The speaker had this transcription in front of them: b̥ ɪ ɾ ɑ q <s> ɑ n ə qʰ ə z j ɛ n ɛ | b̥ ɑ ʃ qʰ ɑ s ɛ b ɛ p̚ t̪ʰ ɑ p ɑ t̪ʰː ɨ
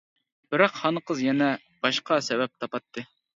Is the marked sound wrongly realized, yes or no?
yes